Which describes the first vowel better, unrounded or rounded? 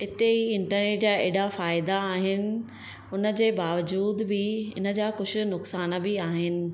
unrounded